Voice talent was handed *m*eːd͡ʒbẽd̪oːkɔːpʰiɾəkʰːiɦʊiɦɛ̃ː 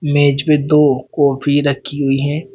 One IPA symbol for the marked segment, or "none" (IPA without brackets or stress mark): m